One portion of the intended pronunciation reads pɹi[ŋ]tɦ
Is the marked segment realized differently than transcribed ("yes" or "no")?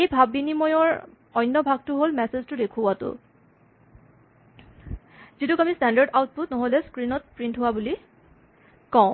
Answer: yes